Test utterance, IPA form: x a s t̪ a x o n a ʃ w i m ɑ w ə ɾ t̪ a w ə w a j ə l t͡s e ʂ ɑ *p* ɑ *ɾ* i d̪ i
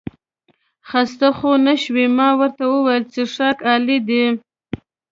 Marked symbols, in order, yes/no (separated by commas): no, no